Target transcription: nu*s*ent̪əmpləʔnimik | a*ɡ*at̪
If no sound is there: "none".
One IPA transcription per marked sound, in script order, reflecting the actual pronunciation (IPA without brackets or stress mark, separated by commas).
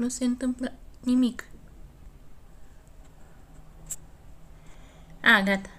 s, ɡ